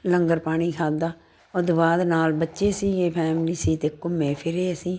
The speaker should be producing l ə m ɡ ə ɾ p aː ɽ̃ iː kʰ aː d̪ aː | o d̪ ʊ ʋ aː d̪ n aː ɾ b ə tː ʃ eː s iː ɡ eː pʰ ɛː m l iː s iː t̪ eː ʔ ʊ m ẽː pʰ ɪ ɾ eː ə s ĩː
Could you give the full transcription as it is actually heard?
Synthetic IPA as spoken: l ə ŋ ɡ ə ɾ p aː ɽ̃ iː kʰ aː d̪ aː | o d̪ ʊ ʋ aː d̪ n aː l b ə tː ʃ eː s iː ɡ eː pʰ ɛː m l iː s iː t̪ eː k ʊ m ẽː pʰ ɪ ɾ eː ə s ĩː